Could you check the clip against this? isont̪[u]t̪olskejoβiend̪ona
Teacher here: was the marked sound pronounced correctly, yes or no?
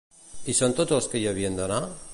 no